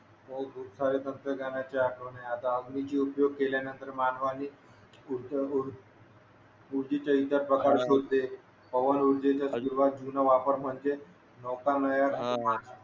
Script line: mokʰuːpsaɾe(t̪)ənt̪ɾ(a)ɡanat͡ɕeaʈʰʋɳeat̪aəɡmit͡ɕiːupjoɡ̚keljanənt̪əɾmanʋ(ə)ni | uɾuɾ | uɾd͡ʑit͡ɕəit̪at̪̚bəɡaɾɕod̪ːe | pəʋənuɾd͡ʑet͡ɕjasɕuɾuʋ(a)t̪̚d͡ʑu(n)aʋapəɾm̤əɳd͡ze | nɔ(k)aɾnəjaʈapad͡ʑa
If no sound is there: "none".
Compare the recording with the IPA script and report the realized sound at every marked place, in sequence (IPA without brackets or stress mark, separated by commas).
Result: t̪, ə, a, a, n, k